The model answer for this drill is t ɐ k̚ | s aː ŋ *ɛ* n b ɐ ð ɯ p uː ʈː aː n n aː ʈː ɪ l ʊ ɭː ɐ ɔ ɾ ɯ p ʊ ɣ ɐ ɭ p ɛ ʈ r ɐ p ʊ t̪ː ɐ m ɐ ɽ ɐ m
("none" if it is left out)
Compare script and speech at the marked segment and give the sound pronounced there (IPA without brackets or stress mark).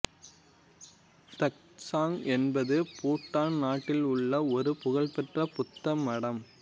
ɛ